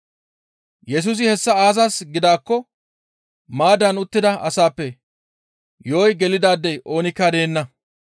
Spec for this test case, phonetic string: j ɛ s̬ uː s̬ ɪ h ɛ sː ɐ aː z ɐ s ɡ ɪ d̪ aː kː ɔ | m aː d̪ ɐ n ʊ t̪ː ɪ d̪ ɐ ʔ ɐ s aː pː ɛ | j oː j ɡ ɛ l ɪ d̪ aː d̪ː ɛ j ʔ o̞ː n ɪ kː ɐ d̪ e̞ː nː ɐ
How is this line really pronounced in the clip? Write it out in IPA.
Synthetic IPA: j ɛ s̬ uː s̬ ɪ h ɛ sː ɐ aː z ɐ s ɡ ɪ d̪ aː kː ɔ | m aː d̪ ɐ n ʊ t̪ː ɪ d̪ ɐ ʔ ɐ s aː pː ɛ | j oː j ɡ ɛ l ɪ d̪ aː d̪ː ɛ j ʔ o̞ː n ɪ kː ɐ d̪ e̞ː nː ɐ